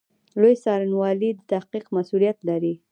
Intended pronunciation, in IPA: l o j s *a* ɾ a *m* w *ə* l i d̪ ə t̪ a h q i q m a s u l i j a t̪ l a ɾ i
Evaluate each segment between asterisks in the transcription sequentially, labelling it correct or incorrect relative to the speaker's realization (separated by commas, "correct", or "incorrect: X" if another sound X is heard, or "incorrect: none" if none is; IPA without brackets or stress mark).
incorrect: ɑ, incorrect: n, incorrect: ɑ